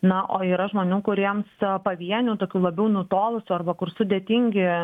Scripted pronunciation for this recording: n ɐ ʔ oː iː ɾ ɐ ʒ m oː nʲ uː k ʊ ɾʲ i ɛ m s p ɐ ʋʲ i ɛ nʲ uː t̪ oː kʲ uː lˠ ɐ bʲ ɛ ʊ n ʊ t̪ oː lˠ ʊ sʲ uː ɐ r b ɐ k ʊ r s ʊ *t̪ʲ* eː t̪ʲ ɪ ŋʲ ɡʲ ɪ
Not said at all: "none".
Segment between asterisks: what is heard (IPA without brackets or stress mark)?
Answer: d̪ʲ